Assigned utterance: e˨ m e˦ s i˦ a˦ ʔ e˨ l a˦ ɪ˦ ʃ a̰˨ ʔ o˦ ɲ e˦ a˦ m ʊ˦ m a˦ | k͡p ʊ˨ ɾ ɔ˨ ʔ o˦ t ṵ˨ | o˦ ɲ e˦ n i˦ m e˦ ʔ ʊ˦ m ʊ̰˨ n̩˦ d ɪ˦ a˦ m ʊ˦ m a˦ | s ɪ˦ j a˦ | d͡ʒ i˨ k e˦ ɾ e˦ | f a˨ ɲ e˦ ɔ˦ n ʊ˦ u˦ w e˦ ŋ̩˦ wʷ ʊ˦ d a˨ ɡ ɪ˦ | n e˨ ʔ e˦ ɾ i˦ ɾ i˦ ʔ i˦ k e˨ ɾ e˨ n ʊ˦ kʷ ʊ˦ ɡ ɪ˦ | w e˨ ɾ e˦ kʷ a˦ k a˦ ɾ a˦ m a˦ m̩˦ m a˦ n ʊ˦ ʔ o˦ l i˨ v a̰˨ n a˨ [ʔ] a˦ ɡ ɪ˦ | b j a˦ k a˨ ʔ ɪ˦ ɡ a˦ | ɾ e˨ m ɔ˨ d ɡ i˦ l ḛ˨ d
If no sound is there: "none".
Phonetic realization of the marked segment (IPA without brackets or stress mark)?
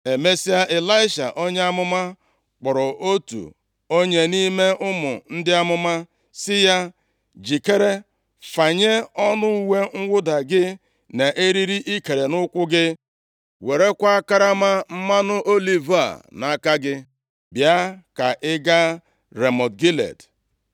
k